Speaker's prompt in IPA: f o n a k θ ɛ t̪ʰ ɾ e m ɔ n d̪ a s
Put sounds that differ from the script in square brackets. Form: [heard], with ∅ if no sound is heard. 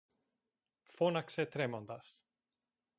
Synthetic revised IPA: f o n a k [s] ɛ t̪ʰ ɾ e m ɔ n d̪ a s